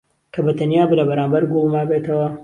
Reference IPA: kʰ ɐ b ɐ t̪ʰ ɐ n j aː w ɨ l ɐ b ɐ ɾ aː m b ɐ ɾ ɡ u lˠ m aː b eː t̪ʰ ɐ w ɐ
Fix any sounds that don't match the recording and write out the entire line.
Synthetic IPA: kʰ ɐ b ɐ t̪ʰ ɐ n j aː b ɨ l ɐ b ɐ ɾ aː m b ɐ ɾ ɡ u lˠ m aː b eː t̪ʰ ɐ w ɐ